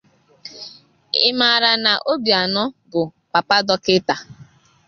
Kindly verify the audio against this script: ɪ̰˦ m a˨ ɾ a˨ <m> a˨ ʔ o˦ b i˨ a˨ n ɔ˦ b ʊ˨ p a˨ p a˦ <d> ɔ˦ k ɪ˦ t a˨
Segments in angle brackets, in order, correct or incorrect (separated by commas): incorrect, correct